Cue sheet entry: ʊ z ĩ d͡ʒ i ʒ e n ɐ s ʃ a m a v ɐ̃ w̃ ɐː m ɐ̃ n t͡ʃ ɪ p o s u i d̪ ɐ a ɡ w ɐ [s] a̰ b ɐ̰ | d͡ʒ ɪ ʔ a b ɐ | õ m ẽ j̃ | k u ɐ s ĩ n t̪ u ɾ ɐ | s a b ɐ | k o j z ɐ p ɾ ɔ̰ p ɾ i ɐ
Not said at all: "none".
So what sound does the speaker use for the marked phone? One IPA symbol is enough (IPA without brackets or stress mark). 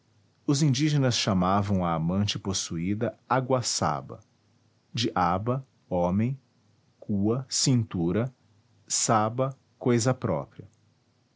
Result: s